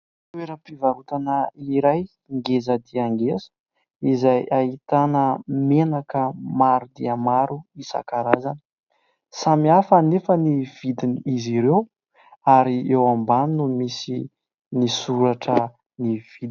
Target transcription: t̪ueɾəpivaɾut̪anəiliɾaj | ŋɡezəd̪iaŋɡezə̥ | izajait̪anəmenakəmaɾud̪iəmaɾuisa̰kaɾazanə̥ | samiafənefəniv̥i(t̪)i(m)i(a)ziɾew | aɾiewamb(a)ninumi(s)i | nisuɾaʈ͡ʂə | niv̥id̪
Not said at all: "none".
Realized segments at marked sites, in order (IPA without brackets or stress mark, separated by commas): d̪, n, i, a, s